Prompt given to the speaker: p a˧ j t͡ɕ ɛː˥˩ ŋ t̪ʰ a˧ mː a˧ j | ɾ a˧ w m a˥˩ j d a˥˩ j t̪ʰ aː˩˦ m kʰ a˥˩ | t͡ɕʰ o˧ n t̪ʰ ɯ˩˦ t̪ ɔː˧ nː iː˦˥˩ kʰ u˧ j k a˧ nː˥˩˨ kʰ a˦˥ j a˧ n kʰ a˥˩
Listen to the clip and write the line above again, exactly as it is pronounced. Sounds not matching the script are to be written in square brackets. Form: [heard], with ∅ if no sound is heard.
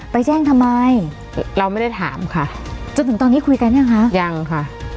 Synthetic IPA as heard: p a˧ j t͡ɕ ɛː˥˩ ŋ t̪ʰ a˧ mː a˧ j | ɾ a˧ w m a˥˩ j d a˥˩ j t̪ʰ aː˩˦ m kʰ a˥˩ | [t͡ɕ] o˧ n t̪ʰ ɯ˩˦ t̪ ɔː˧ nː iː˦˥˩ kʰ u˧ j k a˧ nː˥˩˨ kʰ a˦˥ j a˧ [ŋ] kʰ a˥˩